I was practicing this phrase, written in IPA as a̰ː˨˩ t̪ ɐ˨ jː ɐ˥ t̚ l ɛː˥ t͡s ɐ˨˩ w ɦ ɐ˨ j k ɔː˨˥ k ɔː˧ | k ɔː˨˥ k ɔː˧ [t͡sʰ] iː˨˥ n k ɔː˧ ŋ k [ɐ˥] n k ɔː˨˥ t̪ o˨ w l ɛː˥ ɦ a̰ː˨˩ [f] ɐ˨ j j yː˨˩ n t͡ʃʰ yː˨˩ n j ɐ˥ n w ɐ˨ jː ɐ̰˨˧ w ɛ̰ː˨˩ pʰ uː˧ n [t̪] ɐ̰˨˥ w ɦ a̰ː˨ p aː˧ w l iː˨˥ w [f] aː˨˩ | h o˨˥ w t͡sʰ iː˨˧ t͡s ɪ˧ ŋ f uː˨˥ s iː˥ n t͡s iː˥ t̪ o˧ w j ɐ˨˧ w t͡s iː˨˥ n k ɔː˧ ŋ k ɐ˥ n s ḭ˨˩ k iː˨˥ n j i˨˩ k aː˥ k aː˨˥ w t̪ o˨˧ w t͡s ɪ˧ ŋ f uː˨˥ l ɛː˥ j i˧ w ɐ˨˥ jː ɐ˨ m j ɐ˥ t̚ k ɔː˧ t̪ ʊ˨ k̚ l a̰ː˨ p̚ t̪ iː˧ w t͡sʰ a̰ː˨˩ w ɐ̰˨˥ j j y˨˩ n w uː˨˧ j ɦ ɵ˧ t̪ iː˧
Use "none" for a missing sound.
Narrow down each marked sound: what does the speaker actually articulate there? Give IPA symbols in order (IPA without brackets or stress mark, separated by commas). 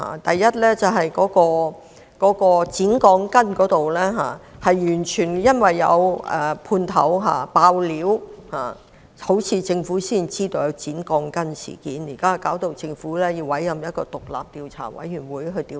t͡s, ɐ˥, h, t̪ʰ, h